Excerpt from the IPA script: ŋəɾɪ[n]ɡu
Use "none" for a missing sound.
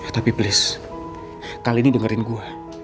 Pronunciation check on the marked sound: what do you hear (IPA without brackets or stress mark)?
n